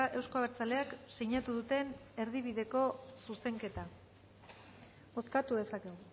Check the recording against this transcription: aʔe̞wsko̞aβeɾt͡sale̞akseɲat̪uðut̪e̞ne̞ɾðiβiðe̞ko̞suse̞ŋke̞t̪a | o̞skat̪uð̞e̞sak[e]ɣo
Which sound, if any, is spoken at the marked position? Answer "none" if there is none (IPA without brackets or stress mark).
e